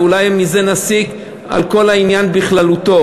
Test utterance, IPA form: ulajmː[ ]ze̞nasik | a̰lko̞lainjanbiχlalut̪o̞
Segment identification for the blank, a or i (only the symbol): i